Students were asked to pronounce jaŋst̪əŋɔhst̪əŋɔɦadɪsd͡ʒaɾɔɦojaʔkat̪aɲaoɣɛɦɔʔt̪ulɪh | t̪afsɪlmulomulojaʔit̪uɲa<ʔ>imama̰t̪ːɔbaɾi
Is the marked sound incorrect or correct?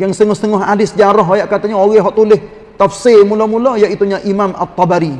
correct